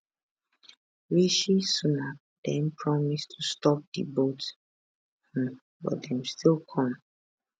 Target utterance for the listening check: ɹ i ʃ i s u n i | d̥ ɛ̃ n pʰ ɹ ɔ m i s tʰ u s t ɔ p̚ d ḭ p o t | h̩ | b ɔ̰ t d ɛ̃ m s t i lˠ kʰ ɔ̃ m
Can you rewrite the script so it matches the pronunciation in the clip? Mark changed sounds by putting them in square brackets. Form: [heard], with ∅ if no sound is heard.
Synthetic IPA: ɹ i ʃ i s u n [a] | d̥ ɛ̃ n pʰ ɹ ɔ m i s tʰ u s t ɔ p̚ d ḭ [b] o t | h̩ | b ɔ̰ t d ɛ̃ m s t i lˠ kʰ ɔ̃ m